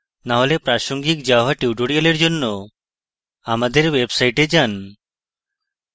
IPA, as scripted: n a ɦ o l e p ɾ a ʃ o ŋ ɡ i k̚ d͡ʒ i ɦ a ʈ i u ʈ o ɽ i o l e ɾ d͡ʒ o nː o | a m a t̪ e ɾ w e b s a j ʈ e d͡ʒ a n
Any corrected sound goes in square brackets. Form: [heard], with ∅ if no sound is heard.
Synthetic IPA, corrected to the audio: n a ɦ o l e p ɾ a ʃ o ŋ ɡ i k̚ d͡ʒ [a] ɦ a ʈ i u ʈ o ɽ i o l e ɾ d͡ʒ o nː o | a m a [d̪] e ɾ w e b s a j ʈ e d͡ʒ a n

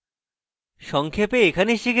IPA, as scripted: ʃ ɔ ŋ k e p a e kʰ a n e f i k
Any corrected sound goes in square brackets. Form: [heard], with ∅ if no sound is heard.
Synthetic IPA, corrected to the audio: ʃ ɔ ŋ [kʰ] e p [e] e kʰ a n e [ʃ] i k

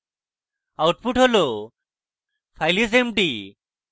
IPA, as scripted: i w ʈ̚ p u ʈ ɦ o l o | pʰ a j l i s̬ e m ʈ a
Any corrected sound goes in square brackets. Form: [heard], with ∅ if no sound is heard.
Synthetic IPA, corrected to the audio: [a] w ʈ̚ p u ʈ ɦ o l o | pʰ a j l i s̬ e m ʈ [i]

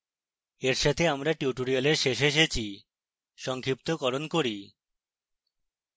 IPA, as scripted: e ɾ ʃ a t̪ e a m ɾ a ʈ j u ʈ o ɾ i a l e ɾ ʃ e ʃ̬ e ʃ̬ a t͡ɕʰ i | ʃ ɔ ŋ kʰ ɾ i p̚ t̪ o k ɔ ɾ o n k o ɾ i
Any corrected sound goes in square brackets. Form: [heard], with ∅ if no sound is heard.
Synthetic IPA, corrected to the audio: e ɾ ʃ a [t̪ʰ] e a m ɾ a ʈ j u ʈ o ɾ i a l e ɾ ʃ e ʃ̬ e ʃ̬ [e] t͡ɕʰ i | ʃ ɔ ŋ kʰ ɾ i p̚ t̪ o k ɔ ɾ o n k o ɾ i

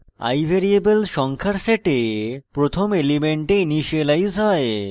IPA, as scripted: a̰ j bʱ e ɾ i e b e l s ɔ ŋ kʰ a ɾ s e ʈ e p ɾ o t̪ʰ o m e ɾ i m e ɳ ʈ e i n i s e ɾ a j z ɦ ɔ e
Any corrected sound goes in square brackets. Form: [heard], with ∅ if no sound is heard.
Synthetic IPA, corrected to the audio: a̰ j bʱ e ɾ i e b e l [ʃ] ɔ ŋ kʰ a ɾ s e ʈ e p ɾ o t̪ʰ o m e [l] i m e ɳ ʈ e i n i [ʃ] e [l] a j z ɦ ɔ e

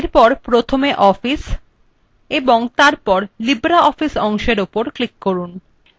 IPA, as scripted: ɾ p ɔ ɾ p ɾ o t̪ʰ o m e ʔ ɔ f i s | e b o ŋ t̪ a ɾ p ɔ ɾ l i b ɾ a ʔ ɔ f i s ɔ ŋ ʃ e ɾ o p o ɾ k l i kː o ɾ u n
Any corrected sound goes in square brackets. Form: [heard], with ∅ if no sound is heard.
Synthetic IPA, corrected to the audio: ɾ p ɔ ɾ p ɾ o t̪ʰ o m e ʔ ɔ f i s | e b o ŋ t̪ a ɾ p ɔ ɾ l i b ɾ a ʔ ɔ f i s ɔ ŋ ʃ e ɾ o p o ɾ k l i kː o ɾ u n

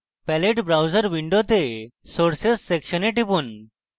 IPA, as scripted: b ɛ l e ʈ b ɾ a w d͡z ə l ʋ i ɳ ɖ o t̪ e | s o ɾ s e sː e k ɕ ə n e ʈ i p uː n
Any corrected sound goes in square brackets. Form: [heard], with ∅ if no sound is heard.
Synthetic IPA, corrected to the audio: [p] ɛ l e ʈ b ɾ a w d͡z ə [ɾ] ʋ i ɳ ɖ o t̪ e | s o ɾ s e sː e k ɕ ə n e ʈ i p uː n

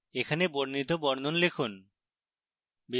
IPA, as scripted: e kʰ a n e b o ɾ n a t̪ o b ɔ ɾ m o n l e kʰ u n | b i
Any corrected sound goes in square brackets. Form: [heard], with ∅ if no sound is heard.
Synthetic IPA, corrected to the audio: e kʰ a n e b o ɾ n [i] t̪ o b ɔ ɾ [n] o n l e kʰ u n | b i

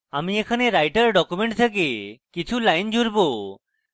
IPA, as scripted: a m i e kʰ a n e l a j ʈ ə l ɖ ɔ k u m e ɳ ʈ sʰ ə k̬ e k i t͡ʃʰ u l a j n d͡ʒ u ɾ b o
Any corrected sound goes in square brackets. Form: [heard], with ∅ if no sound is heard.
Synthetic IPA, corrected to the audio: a m i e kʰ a n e [ɾ] a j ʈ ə [ɾ] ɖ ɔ k u m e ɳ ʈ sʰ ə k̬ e k i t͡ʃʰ u l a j n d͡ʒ u ɾ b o

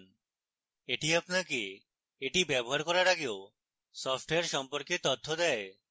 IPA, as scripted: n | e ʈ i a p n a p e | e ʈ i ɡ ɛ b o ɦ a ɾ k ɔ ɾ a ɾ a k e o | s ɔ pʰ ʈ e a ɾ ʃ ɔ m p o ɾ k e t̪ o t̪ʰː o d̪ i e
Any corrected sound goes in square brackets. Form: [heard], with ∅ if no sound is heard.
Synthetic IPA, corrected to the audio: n | e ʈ i a p n a [k] e | e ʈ i [b] ɛ b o ɦ a ɾ k ɔ ɾ a ɾ a [ɡ] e o | s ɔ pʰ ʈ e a ɾ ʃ ɔ m p o ɾ k e t̪ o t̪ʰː o d̪ [ɛ] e

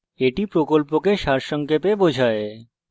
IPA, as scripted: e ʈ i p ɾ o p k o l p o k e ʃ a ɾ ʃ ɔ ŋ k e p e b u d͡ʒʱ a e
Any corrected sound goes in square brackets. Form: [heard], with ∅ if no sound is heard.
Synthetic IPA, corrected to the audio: e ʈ i p ɾ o [∅] k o l p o k e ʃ a ɾ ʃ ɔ ŋ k e p e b [o] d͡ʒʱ a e

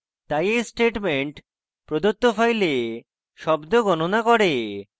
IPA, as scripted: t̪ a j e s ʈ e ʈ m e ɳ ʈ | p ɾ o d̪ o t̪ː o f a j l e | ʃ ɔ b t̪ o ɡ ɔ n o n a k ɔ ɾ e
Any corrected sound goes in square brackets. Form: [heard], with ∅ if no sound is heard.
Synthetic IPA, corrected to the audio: t̪ a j e s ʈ e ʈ m e ɳ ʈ | p ɾ o d̪ o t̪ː o f a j l e | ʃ ɔ b [d̪] o ɡ ɔ n o n a k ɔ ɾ e

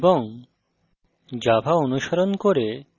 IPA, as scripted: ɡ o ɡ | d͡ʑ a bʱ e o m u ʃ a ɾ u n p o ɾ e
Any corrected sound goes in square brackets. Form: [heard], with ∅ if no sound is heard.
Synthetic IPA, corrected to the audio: [b] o [ŋ] | d͡ʑ a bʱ [a] o [n] u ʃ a ɾ [o] n [k] o ɾ e

